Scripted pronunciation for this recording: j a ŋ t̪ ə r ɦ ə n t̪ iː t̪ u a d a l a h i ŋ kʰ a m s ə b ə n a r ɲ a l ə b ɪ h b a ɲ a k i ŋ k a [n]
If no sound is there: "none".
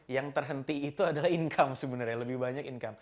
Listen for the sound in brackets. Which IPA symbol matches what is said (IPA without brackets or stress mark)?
m